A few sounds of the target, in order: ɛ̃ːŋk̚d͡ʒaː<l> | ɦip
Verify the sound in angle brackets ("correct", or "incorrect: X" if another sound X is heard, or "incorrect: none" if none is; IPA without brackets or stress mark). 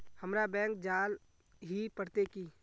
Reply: correct